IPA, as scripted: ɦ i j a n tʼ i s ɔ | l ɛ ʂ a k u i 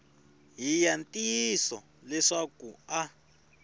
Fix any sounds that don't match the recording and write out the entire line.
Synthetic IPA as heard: ɦ i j a n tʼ i s ɔ | l ɛ ʂ a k u a

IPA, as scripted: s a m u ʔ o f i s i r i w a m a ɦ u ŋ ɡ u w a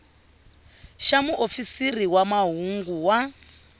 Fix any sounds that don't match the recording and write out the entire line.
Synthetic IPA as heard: ʃ a m u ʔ o f i s i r i w a m a ɦ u ŋ ɡ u w a

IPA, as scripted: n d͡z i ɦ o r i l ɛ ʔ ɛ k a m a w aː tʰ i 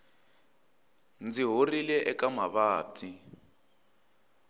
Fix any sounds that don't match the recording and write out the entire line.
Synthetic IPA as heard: n d͡z i ɦ o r i l ɛ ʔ ɛ k a m a β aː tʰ i

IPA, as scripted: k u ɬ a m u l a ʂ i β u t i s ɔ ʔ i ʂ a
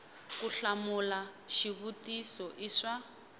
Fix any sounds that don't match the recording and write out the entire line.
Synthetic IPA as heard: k u ɬ a m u l a ʃ i β u t i s ɔ ʔ i ʂ a

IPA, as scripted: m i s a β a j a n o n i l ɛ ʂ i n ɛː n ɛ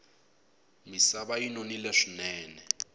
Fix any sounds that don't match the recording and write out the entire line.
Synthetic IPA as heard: m i s a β a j i n o n i l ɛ ʂ i n ɛː n ɛ

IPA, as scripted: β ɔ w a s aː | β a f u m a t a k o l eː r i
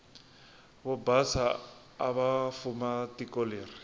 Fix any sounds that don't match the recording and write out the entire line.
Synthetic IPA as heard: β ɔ b a s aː | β a f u m a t i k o l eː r i

